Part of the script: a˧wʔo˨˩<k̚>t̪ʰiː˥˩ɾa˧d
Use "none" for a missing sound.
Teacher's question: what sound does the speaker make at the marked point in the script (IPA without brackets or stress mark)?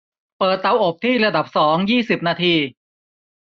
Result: p̚